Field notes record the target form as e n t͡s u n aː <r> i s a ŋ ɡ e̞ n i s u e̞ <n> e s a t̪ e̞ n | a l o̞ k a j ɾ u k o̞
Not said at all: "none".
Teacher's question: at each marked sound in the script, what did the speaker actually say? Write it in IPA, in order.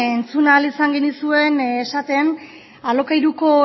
l, n

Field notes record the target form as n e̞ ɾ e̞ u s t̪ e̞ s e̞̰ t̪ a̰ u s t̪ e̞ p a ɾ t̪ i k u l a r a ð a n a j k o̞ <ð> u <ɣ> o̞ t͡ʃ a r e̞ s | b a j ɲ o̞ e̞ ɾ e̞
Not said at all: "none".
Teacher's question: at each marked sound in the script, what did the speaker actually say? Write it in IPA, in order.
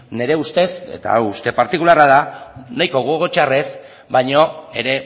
ɣ, ɣ

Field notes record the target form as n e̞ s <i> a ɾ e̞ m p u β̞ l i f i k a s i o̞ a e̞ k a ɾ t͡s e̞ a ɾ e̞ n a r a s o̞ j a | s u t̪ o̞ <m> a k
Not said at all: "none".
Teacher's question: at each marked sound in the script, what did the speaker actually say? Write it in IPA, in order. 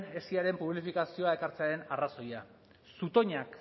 i, ɲ

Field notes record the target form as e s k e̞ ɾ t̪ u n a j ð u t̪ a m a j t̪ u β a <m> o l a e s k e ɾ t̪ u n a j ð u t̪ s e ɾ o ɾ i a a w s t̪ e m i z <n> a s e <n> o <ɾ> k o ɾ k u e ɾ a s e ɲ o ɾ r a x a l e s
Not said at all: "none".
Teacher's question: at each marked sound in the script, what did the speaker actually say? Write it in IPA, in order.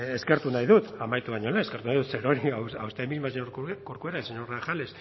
ɲ, m, ɲ, ɾ

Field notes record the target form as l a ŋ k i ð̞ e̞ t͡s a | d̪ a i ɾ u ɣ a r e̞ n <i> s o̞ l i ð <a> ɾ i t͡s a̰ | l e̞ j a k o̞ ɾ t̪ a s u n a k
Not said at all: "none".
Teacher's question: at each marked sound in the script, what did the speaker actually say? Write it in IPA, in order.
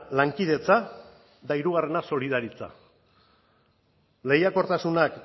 a, a

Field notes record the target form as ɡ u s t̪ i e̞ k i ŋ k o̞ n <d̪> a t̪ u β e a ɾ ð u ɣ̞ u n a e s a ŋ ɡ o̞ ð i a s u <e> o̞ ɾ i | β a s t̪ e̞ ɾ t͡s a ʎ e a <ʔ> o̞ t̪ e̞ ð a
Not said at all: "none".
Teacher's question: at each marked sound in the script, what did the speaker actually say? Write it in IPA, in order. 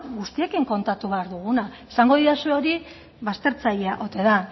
t̪, e, ʔ

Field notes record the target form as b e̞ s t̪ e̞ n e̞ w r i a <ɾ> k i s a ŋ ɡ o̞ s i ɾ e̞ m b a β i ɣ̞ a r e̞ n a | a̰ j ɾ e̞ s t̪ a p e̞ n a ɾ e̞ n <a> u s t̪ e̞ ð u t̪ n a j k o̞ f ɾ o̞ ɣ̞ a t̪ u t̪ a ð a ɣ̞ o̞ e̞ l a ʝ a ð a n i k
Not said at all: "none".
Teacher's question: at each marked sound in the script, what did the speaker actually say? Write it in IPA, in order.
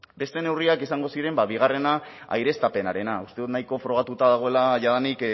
none, a

